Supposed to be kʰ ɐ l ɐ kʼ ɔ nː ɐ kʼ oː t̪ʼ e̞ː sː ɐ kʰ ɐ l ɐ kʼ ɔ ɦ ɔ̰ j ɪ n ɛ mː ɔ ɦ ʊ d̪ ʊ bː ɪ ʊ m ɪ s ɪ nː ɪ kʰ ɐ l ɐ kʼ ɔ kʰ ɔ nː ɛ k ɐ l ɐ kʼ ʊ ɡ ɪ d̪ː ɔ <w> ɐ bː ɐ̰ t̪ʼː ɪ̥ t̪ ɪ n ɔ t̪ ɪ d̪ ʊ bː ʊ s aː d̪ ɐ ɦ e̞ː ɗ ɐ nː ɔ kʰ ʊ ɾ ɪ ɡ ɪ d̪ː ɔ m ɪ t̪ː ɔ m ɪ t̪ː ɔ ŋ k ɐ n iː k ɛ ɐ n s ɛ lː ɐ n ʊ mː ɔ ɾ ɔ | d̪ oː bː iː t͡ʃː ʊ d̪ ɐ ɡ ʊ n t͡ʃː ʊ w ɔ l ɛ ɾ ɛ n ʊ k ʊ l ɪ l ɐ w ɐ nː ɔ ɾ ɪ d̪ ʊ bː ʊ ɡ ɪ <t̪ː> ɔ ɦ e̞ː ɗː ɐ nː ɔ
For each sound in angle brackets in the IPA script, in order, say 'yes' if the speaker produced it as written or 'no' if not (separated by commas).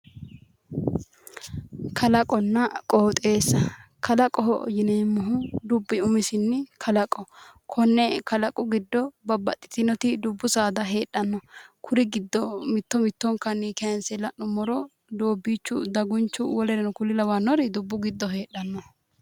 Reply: no, no